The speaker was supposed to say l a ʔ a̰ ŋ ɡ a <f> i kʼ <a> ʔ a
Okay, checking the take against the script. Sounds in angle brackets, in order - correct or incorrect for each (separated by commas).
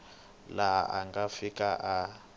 correct, correct